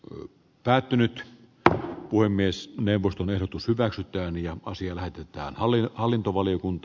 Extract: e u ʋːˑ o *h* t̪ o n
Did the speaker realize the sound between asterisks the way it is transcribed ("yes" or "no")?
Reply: no